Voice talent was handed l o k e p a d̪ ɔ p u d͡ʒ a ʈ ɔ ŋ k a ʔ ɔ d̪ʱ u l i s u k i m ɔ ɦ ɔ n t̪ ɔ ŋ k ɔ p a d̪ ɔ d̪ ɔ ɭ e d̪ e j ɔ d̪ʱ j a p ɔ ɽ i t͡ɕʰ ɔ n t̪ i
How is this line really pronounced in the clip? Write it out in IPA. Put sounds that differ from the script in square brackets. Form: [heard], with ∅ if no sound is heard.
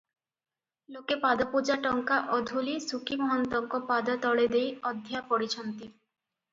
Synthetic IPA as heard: l o k e p a d̪ ɔ p u d͡ʒ a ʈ ɔ ŋ k a ʔ ɔ d̪ʱ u l i s u k i m ɔ ɦ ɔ n t̪ ɔ ŋ k ɔ p a d̪ ɔ [t̪] ɔ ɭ e d̪ e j ɔ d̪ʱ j a p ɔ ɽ i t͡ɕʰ ɔ n t̪ i